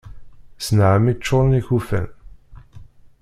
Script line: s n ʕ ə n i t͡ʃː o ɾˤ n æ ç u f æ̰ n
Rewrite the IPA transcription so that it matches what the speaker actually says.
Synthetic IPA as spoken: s n ʕ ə m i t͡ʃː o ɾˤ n i ç u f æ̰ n